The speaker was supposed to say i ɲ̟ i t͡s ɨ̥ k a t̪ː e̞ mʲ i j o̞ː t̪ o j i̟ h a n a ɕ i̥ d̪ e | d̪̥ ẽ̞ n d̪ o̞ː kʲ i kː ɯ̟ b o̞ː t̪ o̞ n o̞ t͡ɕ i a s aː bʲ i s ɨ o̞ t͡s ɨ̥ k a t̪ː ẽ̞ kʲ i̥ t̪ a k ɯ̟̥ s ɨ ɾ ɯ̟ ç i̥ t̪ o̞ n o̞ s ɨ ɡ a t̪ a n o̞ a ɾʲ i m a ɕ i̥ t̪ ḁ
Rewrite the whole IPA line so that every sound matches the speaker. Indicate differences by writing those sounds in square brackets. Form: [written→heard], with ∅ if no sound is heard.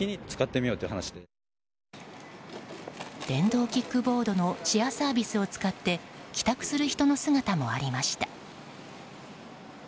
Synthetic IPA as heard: i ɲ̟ i t͡s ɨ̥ k a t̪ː e̞ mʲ i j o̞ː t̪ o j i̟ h a n a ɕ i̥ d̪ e | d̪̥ ẽ̞ n d̪ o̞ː kʲ i kː ɯ̟ b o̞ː [t̪→d̪] o̞ n o̞ t͡ɕ i a s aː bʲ i s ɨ o̞ t͡s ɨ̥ k a t̪ː [ẽ̞→e̞] kʲ i̥ t̪ a k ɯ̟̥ s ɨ ɾ ɯ̟ ç i̥ t̪ o̞ n o̞ s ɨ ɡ a t̪ a [n→m] o̞ a ɾʲ i m a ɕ i̥ t̪ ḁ